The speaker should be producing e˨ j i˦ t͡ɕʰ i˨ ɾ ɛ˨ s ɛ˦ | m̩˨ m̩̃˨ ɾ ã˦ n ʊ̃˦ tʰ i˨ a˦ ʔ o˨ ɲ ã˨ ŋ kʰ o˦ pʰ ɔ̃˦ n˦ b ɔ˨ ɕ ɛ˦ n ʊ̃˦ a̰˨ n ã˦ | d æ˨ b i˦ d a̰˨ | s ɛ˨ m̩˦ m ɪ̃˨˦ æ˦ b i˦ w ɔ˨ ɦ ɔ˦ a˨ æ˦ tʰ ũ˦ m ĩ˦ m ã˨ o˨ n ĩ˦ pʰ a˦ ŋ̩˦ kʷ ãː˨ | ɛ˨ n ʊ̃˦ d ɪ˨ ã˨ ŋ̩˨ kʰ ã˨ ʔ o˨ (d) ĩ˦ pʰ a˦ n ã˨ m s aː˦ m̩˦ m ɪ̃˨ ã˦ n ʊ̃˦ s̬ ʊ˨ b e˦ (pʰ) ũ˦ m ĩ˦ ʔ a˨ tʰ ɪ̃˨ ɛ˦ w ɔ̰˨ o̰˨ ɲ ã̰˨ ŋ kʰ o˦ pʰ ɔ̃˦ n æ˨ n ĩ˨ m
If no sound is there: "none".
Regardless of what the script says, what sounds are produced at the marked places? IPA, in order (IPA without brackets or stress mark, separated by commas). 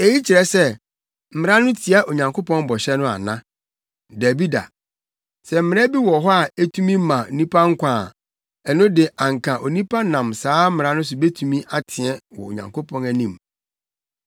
n, tʰ